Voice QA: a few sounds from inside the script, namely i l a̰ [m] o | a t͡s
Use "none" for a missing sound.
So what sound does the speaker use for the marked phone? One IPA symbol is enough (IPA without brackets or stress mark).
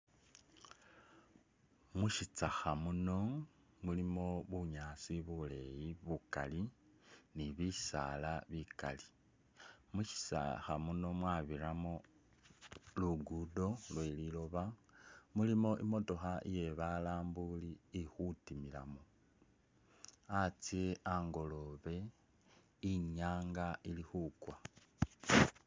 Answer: m